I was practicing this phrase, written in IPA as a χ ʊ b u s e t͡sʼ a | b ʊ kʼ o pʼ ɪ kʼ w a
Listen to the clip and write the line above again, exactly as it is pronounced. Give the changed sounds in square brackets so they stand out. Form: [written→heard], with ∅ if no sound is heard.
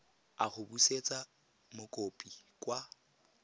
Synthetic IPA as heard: a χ ʊ b u s e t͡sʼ a | [b→m] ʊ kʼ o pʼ [ɪ→i] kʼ w a